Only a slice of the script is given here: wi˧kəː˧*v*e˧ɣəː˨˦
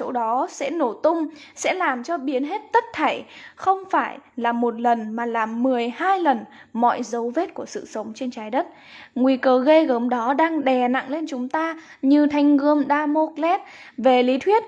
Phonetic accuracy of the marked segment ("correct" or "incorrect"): incorrect